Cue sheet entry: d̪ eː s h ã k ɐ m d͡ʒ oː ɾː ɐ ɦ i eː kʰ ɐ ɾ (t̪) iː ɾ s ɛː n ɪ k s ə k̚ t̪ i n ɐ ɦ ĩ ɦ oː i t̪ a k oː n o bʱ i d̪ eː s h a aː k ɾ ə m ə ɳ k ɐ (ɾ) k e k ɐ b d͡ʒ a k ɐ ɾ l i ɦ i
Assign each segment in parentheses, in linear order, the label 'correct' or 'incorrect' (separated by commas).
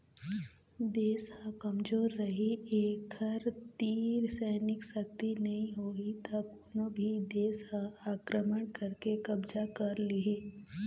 correct, correct